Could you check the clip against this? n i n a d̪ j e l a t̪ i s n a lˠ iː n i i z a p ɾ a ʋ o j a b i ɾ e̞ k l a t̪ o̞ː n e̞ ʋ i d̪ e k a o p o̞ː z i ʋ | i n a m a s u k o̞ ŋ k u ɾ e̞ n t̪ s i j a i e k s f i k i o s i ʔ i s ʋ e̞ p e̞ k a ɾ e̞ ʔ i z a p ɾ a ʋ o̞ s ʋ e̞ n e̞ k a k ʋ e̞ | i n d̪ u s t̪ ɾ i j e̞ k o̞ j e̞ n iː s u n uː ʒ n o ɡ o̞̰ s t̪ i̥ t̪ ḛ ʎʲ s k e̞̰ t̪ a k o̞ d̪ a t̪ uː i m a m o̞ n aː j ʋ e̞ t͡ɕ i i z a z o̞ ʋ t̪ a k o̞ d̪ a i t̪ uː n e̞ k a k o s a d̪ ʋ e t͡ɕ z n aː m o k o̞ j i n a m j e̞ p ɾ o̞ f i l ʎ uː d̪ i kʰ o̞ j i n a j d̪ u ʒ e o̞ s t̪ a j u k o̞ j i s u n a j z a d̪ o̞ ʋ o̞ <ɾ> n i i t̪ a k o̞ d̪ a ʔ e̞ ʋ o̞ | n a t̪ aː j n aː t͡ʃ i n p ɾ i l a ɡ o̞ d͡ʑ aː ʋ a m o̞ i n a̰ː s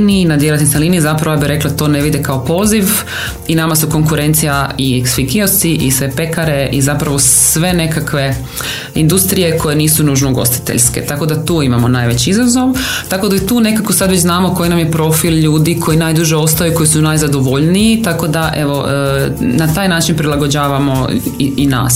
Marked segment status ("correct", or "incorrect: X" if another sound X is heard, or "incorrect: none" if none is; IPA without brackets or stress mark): incorrect: ʎ